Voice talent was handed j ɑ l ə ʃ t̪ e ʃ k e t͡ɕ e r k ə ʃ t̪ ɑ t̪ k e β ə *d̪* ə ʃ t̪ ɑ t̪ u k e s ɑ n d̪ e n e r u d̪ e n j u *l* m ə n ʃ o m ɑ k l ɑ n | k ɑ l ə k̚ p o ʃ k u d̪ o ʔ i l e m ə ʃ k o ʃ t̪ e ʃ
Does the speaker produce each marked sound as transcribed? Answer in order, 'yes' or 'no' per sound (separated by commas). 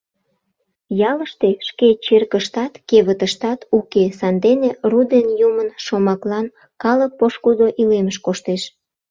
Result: no, no